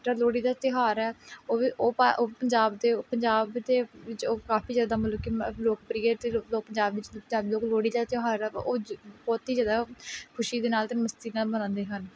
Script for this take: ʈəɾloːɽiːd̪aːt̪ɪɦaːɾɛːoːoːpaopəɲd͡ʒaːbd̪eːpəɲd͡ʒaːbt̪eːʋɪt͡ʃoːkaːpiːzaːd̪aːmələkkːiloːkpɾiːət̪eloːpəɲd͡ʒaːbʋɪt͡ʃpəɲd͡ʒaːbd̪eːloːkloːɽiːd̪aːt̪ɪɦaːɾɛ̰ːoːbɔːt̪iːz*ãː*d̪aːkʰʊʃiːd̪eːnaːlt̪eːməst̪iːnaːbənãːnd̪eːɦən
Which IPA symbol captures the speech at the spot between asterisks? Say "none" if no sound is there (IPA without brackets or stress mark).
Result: aː